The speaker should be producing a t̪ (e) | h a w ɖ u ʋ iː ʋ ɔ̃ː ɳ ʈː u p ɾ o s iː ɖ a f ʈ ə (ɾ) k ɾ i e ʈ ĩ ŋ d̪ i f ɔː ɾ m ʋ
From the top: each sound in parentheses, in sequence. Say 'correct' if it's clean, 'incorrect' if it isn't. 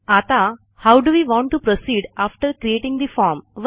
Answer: incorrect: a, correct

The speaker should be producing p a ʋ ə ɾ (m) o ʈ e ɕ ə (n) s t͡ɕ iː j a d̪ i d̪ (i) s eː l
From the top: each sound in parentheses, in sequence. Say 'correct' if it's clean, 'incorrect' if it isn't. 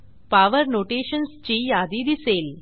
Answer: incorrect: n, correct, correct

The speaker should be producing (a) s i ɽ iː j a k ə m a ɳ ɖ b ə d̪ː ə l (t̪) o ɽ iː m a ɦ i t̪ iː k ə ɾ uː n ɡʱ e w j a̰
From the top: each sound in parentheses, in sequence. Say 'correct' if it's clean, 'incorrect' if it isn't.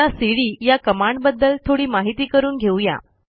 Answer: correct, incorrect: t̪ʰ

